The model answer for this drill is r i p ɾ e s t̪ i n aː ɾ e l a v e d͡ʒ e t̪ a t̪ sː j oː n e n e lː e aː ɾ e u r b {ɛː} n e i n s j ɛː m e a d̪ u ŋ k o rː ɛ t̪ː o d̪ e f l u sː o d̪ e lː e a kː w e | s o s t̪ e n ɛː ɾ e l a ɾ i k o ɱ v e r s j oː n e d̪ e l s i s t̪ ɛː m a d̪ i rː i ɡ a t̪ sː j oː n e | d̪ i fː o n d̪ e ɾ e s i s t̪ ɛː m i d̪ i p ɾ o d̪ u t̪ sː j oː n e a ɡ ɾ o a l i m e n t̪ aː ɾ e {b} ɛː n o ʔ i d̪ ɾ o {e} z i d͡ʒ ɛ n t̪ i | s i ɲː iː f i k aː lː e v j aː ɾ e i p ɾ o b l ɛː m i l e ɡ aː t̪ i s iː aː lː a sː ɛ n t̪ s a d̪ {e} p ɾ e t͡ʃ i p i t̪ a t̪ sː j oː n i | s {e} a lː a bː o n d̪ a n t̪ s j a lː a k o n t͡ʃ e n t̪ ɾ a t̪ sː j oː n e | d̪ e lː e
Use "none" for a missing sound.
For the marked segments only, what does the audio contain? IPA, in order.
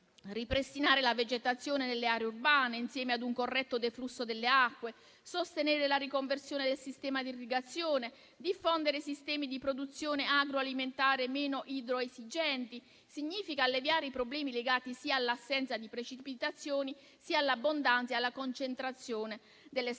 aː, m, e, i, i

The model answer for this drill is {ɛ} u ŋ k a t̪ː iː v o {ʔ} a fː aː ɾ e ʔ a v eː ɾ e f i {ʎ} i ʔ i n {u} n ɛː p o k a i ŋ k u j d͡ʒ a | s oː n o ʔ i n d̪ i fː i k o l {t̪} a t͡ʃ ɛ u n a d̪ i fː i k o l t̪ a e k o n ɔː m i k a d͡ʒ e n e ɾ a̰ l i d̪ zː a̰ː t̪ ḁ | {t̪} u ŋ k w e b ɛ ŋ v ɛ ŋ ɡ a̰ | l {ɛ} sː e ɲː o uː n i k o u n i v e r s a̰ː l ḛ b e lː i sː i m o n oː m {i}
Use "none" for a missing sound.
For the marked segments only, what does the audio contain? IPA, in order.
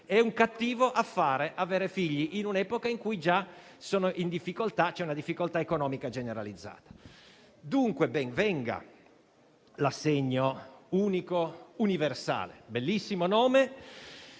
ɛ, ʔ, ʎː, u, t̪, d̪, a, e

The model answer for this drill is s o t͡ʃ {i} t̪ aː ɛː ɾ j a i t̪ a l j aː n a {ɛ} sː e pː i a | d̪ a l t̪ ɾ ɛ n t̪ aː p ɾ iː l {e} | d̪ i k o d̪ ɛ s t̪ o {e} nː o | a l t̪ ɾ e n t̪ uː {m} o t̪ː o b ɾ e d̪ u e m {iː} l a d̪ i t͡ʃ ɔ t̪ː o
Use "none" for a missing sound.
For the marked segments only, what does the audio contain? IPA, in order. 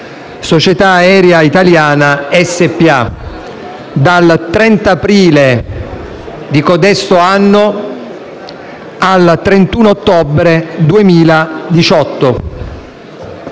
e, ɛ, e, a, n, iː

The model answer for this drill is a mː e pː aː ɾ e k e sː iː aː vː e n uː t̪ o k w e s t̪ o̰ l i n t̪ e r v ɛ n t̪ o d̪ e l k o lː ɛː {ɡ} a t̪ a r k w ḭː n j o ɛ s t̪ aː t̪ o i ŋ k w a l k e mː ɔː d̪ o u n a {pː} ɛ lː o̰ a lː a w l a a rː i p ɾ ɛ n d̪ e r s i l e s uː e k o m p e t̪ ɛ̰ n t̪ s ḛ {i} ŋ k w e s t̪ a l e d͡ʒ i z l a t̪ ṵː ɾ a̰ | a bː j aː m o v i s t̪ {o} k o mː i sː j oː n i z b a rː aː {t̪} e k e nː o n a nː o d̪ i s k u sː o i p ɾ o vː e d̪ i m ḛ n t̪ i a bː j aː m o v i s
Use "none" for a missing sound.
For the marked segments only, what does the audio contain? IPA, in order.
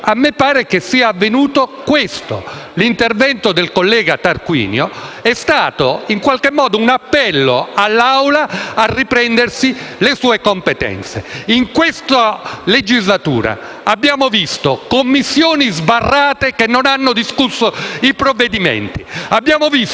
ɡ, pː, i, o, t̪

